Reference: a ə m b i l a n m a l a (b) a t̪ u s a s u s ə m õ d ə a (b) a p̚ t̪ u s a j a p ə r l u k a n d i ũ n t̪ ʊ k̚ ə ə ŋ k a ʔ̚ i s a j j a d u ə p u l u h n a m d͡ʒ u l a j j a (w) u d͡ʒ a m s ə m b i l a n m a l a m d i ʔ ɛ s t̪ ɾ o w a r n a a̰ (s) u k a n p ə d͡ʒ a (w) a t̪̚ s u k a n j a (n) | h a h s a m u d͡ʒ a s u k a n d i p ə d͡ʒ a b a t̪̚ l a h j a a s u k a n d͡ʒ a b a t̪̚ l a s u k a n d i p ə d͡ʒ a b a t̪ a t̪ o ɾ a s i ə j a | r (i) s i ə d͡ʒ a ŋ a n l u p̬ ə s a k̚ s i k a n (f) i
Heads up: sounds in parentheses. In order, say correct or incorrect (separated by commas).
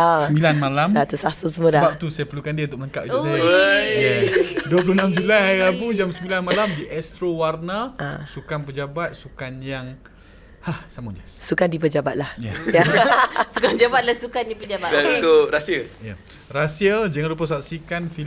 incorrect, correct, incorrect, correct, incorrect, incorrect, incorrect, correct